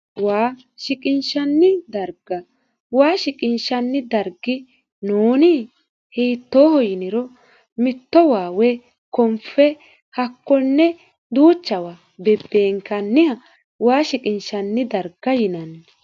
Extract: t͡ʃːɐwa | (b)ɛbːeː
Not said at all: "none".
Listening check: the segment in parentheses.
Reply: b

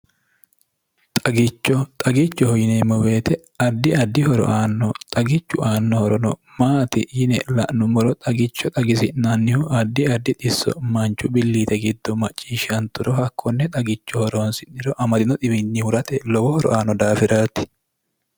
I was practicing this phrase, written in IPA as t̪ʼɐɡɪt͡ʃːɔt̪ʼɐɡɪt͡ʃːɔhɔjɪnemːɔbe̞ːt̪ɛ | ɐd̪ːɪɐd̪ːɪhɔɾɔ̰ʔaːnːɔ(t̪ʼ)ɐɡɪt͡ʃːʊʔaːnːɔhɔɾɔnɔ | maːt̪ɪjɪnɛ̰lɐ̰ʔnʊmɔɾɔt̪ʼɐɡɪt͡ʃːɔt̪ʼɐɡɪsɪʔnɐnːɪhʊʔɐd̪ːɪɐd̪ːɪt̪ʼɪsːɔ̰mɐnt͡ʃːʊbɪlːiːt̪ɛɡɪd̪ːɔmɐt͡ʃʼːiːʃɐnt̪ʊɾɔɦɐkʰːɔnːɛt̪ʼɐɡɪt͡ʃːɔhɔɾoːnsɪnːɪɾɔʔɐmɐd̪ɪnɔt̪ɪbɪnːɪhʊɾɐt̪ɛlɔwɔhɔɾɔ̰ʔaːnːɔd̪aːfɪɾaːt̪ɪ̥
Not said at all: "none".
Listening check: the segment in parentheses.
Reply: t̪ʼ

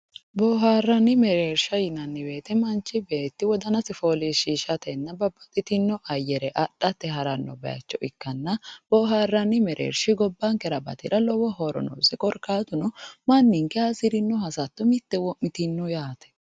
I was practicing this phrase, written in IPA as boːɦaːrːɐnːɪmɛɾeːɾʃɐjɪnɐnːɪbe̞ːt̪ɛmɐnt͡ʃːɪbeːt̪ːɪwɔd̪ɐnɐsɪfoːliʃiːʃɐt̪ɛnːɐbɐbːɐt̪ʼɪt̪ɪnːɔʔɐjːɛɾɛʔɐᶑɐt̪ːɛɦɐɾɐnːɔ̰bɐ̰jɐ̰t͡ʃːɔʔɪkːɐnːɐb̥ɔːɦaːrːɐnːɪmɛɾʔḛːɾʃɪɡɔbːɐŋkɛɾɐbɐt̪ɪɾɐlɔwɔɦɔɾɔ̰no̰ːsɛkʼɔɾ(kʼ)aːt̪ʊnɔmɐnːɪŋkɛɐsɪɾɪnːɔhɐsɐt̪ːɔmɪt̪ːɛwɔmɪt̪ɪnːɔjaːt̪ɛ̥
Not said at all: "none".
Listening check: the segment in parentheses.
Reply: k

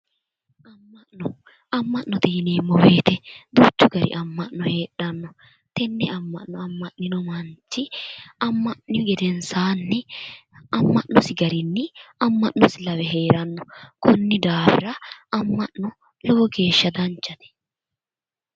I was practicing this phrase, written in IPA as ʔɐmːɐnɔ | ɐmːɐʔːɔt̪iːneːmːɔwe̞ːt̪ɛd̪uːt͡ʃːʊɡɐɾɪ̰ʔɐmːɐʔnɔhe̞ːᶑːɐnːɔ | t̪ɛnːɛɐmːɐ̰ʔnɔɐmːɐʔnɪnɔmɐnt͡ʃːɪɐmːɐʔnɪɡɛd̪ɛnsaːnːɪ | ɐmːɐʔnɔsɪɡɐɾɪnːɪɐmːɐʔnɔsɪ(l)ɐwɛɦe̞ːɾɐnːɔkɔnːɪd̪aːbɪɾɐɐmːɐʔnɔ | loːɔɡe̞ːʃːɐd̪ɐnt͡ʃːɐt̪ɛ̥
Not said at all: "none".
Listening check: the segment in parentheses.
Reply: l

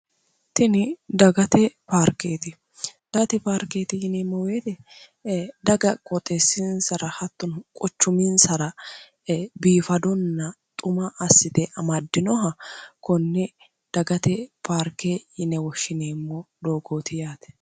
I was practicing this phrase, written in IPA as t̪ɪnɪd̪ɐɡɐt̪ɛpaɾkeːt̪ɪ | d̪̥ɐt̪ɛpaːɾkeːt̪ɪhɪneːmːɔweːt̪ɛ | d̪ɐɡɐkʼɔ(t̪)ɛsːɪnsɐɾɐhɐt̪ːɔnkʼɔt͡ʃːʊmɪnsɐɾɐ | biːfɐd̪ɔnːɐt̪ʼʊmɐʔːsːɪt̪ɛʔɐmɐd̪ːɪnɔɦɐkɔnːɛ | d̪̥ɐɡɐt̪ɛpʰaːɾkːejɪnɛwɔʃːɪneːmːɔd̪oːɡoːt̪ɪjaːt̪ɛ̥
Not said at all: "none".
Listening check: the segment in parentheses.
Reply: t̪ʼ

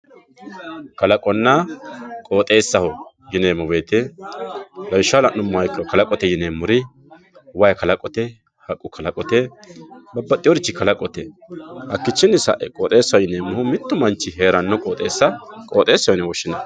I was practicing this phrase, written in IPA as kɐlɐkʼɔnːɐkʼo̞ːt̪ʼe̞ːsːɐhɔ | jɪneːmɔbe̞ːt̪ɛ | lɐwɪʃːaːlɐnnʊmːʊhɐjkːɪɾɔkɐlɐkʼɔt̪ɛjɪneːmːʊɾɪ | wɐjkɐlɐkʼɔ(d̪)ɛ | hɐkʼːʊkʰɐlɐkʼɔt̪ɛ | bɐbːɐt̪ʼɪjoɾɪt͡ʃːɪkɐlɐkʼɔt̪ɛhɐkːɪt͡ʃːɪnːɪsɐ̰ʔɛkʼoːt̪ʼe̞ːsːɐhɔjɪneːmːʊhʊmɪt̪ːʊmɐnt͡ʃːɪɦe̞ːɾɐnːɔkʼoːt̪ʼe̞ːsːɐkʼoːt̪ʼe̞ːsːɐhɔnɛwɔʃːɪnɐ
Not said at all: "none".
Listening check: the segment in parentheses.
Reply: t̪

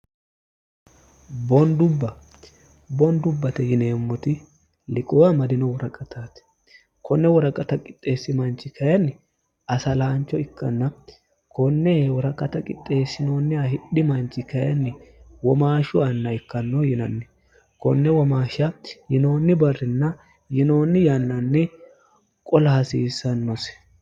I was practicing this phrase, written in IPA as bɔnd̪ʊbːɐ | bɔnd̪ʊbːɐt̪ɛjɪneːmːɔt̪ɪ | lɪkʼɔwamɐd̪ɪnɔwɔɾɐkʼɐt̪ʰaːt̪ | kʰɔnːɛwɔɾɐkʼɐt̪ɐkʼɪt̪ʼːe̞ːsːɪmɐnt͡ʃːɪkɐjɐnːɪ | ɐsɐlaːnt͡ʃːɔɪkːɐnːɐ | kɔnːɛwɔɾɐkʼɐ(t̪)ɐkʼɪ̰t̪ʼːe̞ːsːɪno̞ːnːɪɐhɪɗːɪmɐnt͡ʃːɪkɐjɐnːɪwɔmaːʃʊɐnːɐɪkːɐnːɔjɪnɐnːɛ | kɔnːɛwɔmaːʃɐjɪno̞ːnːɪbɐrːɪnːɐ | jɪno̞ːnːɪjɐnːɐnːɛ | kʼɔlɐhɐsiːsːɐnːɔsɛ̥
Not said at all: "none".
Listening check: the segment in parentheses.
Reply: t̪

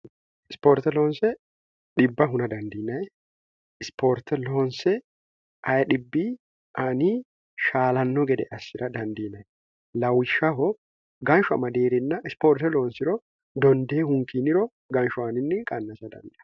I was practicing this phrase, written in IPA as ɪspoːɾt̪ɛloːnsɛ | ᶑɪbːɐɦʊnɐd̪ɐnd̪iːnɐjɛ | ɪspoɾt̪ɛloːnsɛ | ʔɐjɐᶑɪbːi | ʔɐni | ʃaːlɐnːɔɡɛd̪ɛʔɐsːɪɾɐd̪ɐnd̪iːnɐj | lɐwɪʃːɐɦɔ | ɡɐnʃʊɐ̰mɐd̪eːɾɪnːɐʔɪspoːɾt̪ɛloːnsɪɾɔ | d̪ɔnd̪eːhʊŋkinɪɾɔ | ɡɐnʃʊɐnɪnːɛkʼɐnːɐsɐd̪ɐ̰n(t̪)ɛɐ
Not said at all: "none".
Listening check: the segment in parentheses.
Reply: d̪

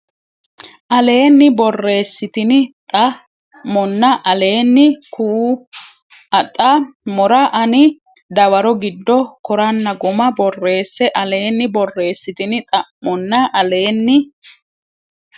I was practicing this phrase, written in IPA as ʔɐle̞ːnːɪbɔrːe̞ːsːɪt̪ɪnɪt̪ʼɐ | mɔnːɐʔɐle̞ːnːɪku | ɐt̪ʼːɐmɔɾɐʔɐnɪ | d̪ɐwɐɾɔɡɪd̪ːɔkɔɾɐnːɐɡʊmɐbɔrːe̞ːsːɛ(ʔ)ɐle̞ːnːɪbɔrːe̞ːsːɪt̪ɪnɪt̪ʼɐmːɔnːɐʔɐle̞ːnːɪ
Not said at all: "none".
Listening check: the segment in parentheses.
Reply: ʔ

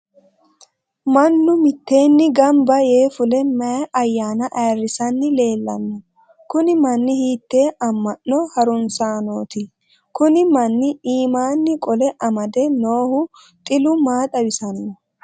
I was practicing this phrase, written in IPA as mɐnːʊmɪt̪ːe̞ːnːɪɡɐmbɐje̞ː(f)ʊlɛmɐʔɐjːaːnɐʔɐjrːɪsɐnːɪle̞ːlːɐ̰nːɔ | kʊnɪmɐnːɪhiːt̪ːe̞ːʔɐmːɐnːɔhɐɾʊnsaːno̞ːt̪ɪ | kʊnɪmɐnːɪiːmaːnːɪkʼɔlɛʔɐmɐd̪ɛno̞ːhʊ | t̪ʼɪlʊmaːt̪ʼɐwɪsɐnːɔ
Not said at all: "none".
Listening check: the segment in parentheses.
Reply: f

